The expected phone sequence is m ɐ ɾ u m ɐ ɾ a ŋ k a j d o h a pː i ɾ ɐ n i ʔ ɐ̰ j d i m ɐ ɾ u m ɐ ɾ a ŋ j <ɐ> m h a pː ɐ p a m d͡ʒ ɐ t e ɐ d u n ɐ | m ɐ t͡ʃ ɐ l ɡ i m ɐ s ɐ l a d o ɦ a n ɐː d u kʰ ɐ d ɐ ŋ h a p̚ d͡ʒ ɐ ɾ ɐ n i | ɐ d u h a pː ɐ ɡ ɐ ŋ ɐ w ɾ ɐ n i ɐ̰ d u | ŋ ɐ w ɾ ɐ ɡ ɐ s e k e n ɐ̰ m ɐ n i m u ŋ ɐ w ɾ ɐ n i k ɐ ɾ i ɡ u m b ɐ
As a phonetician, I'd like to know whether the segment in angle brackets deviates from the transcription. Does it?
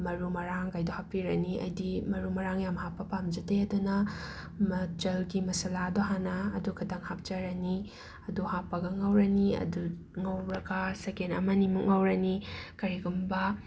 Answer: yes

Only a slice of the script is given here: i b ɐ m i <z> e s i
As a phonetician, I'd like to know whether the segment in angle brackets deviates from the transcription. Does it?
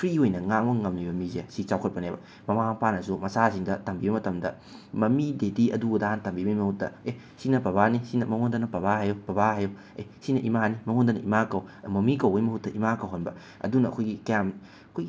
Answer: no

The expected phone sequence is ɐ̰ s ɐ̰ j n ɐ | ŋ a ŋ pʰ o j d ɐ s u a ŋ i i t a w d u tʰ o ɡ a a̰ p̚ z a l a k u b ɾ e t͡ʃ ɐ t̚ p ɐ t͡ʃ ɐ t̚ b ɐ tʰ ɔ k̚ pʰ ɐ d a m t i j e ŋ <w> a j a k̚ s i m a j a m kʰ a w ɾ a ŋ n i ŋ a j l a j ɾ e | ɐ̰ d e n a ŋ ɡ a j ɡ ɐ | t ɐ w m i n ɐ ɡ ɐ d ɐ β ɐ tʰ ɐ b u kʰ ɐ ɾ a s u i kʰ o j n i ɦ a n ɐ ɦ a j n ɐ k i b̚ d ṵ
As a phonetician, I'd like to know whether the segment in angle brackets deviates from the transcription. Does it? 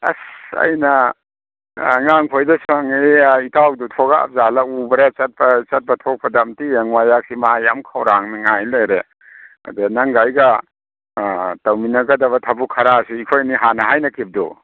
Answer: no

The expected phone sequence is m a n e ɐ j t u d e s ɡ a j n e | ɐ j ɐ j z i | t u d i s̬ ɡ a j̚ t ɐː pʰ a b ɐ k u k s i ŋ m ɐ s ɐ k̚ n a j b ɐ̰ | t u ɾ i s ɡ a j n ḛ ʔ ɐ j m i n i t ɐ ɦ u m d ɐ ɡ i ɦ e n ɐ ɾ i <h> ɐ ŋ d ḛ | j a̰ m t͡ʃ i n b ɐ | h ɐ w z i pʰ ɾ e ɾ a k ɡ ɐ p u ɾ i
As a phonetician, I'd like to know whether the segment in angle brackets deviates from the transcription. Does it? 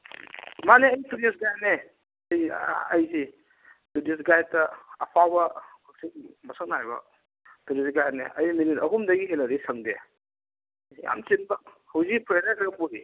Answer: yes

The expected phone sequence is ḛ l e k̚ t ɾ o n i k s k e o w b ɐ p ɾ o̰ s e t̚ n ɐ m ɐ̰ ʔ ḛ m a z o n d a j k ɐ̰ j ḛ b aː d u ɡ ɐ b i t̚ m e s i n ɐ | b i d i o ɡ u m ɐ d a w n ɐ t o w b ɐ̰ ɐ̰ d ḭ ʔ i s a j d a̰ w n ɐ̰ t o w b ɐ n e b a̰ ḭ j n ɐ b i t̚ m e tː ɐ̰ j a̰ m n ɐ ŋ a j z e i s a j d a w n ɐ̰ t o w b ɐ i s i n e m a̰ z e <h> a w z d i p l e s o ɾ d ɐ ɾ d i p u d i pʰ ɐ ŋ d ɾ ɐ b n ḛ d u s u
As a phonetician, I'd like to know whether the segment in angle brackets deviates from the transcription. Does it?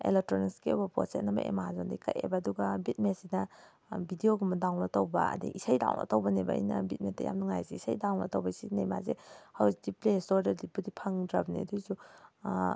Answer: no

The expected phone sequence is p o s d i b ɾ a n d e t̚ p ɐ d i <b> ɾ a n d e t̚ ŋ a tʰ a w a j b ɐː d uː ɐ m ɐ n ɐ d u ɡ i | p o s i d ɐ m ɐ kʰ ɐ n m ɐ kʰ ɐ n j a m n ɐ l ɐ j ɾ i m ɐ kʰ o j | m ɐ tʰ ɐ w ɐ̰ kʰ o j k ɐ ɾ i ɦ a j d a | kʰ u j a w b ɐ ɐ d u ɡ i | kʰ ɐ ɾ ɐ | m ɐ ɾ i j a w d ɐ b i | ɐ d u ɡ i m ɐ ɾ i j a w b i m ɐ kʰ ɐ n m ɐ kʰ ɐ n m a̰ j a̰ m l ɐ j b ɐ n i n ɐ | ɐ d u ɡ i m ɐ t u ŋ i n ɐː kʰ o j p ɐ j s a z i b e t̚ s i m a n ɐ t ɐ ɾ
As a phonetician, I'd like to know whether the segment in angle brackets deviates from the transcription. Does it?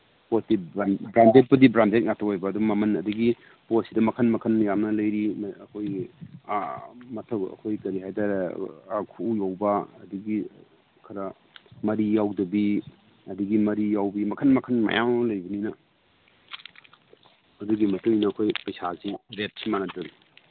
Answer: no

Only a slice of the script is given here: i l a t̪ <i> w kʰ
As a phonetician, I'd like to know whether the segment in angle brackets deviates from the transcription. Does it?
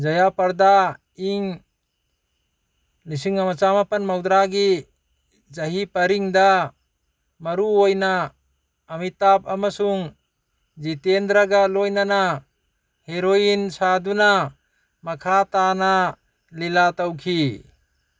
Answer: yes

